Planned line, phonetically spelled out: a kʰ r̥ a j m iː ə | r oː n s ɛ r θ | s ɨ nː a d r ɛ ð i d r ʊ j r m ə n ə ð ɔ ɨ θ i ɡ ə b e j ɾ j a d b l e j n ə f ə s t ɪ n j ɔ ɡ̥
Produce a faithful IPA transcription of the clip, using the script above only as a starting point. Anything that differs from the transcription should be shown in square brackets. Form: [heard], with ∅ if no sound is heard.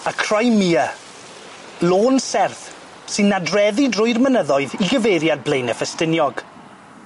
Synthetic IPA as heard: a kʰ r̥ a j m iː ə | [l] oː n s ɛ r θ | s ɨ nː a d r ɛ ð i d r ʊ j r m ə n ə ð ɔ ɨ [ð] i ɡ ə [v] e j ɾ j a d b l e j n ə f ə s t ɪ n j ɔ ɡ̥